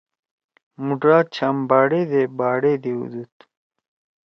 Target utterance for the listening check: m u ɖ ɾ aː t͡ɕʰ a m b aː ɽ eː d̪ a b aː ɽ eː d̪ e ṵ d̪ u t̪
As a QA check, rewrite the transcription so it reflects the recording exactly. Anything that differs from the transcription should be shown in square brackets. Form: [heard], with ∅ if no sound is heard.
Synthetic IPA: m u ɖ ɾ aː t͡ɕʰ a m b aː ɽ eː d̪ [e] b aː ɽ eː d̪ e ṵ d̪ u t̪